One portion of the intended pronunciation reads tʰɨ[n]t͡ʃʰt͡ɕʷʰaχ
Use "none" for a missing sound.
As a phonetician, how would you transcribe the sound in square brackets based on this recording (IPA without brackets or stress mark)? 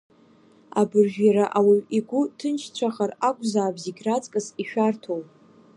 n